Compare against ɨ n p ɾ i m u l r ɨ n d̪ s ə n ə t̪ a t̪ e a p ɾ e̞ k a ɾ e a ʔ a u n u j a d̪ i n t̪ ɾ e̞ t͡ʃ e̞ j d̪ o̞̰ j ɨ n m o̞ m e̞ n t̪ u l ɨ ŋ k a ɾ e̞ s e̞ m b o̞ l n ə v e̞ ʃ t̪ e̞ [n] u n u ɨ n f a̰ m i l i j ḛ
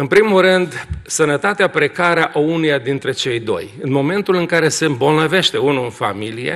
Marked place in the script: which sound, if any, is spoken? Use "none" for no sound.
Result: none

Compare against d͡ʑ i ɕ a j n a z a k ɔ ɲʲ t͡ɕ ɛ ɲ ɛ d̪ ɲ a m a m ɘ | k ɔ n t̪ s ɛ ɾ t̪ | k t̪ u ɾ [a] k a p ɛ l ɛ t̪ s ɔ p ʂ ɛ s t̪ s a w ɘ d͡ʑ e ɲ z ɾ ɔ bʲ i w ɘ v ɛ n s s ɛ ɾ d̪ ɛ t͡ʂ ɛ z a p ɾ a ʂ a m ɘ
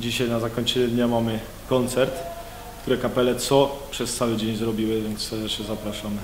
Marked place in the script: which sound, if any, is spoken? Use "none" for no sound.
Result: ɛ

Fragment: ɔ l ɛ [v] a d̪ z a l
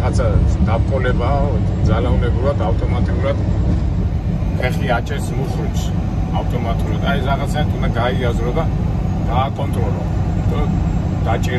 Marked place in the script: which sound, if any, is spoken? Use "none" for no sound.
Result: b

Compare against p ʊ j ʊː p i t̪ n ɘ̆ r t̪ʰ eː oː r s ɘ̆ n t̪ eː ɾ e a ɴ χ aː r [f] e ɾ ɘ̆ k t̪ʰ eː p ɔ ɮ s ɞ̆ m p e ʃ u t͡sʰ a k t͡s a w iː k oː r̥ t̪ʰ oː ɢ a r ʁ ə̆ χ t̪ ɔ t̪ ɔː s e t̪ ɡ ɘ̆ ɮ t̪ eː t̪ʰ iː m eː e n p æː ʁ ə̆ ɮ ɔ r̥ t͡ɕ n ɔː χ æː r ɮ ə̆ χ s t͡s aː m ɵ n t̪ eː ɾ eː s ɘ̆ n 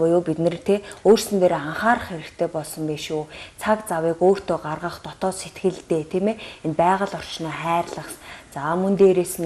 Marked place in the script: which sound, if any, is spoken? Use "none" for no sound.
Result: χ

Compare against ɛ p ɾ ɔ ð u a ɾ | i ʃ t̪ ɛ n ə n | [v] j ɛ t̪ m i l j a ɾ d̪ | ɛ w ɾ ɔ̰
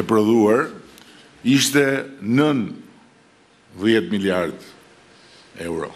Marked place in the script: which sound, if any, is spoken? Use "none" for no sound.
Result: ð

